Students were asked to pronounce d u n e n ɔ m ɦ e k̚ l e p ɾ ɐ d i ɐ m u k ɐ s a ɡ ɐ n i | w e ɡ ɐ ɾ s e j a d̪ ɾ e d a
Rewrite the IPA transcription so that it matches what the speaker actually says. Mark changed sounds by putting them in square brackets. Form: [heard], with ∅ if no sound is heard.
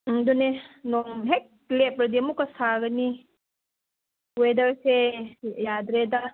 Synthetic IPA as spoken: d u n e n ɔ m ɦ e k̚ l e p ɾ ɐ d i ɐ m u k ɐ s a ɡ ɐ n i | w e [d] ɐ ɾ s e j a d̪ ɾ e d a